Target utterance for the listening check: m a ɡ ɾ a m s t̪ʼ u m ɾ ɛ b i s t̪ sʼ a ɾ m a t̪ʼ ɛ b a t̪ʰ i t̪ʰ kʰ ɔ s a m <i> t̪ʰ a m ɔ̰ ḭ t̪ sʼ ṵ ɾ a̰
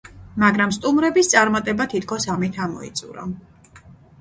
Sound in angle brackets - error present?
no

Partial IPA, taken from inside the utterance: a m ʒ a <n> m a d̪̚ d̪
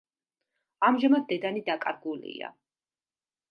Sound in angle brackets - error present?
yes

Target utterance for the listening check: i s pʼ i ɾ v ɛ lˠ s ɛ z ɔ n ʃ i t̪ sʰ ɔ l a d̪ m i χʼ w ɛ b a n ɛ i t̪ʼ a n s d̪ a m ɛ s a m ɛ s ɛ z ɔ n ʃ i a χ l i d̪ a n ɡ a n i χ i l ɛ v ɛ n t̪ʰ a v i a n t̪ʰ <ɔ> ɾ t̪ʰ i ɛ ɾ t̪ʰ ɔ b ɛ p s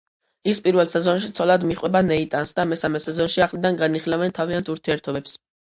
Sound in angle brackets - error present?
yes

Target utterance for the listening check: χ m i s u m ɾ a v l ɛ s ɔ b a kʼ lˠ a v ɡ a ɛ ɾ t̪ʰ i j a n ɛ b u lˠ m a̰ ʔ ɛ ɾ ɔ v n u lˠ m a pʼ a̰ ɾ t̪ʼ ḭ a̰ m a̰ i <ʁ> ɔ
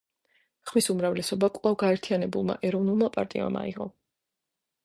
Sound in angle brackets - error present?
no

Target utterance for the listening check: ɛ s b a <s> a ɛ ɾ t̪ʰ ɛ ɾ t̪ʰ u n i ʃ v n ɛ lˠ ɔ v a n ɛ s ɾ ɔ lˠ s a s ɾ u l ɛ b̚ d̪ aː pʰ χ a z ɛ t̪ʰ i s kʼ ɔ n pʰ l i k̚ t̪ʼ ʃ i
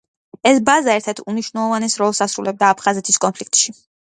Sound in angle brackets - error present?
yes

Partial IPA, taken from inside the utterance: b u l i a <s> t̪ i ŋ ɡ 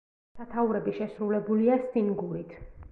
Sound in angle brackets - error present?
no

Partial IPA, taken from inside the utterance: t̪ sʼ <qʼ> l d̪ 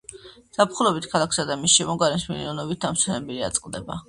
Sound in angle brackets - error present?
no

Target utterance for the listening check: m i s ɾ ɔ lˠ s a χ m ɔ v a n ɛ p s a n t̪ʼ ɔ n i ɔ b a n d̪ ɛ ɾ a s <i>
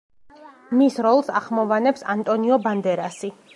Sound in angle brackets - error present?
no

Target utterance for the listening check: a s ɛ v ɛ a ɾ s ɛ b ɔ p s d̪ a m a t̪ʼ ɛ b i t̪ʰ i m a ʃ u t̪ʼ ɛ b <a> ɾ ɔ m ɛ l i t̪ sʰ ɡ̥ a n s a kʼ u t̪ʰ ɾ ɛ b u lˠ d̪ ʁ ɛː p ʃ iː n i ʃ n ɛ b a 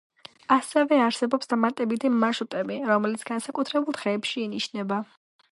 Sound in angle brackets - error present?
yes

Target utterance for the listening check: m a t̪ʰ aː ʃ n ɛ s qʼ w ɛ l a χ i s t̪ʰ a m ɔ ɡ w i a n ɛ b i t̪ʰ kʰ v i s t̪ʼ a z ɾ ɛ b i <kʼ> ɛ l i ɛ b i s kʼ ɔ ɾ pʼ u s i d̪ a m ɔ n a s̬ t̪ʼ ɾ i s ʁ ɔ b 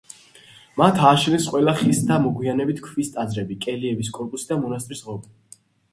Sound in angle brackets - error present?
no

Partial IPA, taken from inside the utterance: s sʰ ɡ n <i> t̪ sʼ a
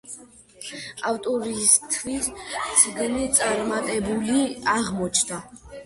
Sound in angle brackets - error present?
no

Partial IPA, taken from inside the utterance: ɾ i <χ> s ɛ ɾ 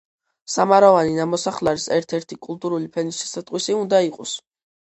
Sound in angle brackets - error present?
yes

